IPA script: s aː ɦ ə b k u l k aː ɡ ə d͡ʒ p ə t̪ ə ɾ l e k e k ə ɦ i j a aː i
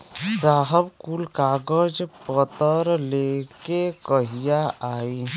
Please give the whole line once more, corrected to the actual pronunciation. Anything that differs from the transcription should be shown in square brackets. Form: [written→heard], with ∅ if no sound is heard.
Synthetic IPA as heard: s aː ɦ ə b k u l k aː ɡ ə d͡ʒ p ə t̪ ə ɾ l e k e k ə ɦ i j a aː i